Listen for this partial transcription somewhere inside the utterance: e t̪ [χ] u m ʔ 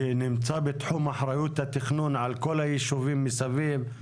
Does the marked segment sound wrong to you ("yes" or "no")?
yes